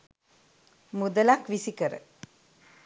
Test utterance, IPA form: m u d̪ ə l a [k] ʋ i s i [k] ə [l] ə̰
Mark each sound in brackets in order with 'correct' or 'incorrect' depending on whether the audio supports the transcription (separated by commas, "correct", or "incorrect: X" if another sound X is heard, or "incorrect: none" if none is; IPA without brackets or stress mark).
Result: correct, correct, incorrect: ɾ